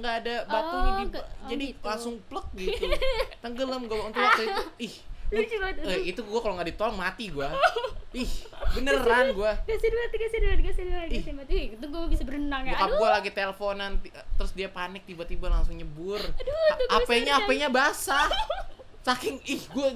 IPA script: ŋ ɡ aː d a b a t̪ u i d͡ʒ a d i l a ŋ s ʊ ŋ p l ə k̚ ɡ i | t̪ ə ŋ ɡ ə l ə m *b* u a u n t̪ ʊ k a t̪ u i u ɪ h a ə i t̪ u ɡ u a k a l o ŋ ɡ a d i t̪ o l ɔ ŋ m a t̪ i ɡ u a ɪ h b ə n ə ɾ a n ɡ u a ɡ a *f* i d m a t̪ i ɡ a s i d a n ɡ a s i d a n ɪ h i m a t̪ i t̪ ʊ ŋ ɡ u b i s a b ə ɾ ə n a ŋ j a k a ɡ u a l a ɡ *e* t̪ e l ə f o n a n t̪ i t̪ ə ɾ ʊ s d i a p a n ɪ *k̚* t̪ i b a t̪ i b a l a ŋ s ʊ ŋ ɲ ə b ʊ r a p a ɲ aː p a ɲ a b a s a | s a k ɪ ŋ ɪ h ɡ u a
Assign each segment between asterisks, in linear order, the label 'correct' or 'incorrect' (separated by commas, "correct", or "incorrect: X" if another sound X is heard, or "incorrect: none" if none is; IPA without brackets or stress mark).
incorrect: ɡ, incorrect: s, incorrect: i, correct